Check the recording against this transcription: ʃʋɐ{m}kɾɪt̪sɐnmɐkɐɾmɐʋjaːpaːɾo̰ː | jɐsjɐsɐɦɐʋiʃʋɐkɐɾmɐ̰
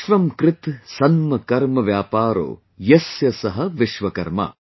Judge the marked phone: correct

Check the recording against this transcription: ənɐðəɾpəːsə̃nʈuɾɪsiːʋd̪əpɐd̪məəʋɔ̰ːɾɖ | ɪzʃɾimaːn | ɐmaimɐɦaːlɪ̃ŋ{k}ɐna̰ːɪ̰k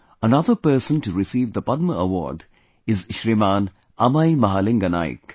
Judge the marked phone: incorrect: ɡ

